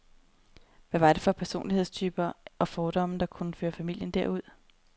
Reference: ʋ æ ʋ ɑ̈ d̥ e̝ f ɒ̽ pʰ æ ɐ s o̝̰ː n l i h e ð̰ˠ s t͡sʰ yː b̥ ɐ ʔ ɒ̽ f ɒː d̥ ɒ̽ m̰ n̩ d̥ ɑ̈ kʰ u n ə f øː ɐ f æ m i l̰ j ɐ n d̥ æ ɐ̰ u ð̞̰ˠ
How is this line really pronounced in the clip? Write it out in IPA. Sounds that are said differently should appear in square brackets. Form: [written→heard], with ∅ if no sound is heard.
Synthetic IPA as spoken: ʋ æ ʋ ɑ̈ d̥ e̝ f ɒ̽ pʰ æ ɐ s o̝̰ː n l i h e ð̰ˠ s t͡sʰ yː b̥ ɐ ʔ ɒ̽ f ɒː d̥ ɒ̽ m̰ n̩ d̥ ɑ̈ kʰ u n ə f øː ɐ f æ m i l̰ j [ɐ→ə] n d̥ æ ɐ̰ u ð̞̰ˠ